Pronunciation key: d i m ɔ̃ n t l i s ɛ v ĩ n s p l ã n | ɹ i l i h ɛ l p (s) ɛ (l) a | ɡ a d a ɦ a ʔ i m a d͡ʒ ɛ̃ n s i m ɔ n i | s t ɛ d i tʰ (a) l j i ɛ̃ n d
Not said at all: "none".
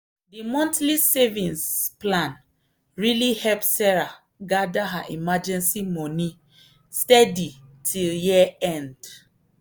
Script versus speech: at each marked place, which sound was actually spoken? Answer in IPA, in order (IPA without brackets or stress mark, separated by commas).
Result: s, ɹ, i